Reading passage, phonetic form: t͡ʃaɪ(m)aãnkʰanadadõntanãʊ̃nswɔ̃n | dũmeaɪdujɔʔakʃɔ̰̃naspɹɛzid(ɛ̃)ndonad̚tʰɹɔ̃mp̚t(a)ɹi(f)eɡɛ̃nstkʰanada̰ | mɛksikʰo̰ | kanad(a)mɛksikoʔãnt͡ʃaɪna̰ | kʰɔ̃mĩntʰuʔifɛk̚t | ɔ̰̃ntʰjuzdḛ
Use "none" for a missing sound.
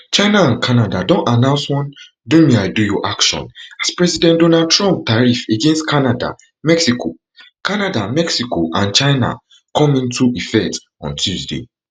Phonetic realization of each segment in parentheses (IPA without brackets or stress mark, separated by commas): n, ɛ̃, a, f, a